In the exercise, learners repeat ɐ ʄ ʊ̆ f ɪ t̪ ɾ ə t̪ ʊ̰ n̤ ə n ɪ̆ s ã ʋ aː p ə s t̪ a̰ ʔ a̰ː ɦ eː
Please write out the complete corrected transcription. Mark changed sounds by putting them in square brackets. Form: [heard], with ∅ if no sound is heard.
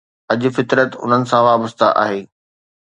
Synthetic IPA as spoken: ɐ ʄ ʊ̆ f ɪ t̪ ɾ ə t̪ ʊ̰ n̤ ə n ɪ̆ s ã ʋ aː [b] ə s t̪ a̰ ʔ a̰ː ɦ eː